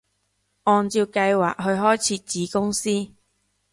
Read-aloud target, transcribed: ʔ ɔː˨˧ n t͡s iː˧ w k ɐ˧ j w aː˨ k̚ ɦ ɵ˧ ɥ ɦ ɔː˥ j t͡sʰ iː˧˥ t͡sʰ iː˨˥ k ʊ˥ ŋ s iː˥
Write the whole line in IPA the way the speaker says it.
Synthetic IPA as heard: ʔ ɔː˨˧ n t͡s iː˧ w k ɐ˧ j w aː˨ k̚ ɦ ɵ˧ ɥ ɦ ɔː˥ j t͡sʰ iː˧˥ t͡s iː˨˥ k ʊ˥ ŋ s iː˥